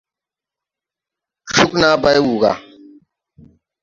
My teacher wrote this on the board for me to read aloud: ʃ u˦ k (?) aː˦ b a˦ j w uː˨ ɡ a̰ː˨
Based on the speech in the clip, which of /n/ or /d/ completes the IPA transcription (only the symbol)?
n